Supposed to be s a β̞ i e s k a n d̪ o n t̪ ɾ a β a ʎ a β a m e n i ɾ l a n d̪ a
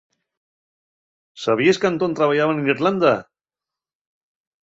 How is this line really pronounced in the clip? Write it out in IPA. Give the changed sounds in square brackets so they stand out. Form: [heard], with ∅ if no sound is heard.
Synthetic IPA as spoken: s a β̞ i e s k a n [t̪] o n t̪ ɾ a β a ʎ a β a [n] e n i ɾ l a n d̪ a